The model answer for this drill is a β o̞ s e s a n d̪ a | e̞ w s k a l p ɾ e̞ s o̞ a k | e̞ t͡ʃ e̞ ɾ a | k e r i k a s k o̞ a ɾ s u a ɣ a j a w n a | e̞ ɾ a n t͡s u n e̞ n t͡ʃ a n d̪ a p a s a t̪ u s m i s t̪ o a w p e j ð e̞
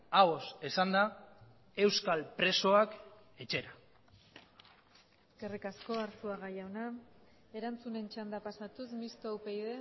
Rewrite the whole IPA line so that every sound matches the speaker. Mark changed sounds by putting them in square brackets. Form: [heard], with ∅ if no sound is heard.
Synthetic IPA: a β o̞ s e s a n d̪ a | e̞ w s k a l p ɾ e̞ s o̞ a k | e̞ t͡ʃ e̞ ɾ a | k e r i k a s k o̞ a ɾ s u a ɣ a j a w n a | e̞ ɾ a n t͡s u n e̞ n t͡ʃ a n d̪ a p a s a t̪ u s m i s t̪ o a w p e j ð e̞